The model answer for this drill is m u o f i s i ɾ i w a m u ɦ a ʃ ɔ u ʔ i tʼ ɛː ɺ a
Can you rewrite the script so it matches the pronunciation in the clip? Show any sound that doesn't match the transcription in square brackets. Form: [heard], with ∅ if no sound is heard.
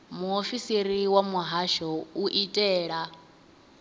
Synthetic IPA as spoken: m u o f i s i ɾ i w a m u ɦ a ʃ ɔ u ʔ i tʼ ɛː ɺ a